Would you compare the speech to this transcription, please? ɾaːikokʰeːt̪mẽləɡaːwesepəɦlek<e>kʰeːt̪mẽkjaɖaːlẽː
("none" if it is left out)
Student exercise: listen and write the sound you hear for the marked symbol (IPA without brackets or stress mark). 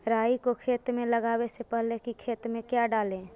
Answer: i